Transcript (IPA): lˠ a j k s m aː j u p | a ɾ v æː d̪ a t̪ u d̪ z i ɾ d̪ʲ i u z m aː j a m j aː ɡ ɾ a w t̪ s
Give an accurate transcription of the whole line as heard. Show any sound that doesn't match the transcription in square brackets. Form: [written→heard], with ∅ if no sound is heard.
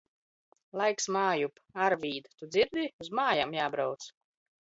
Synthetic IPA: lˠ a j k s m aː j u p | a ɾ v [æː→iː] d̪ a t̪ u d̪ z i ɾ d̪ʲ i u z m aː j a m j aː [ɡ→b] ɾ a w t̪ s